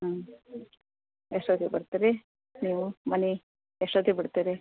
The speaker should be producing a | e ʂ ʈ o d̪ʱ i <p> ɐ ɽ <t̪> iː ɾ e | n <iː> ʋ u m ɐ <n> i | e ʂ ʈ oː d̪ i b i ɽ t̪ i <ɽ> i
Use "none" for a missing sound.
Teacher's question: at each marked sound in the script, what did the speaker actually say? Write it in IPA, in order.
b, t̪, iː, n, ɾ

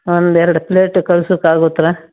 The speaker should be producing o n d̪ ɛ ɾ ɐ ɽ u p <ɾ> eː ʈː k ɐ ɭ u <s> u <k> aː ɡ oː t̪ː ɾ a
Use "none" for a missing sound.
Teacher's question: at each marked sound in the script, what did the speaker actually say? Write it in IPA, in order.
l, s, k

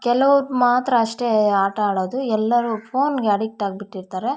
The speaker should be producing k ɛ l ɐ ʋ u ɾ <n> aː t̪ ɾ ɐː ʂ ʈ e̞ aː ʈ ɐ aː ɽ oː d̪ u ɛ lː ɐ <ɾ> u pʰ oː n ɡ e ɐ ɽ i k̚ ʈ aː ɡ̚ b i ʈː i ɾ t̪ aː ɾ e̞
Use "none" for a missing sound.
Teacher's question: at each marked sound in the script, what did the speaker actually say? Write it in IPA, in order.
m, ɾ

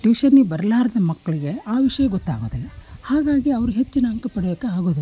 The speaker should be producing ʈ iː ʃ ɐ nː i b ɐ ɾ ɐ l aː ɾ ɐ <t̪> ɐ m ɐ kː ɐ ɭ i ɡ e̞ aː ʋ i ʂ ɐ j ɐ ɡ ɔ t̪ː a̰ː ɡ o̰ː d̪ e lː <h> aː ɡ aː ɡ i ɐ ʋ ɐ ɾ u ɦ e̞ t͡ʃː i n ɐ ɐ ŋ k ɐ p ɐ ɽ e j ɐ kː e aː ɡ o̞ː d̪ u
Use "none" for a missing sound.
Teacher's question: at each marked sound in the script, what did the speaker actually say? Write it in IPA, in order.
d̪, h

